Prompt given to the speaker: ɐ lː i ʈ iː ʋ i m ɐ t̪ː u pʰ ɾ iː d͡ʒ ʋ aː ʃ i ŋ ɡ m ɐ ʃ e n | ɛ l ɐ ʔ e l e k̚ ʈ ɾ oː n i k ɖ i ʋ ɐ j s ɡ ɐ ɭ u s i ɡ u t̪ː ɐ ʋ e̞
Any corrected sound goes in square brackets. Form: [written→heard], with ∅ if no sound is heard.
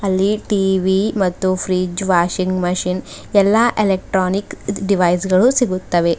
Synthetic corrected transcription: ɐ lː i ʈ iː ʋ i m ɐ t̪ː u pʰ ɾ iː d͡ʒ ʋ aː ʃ i ŋ ɡ m ɐ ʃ [e→i] n | ɛ [l→lː] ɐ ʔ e l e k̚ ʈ ɾ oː n i k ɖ i ʋ ɐ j s ɡ ɐ ɭ u s i ɡ u t̪ː ɐ ʋ e̞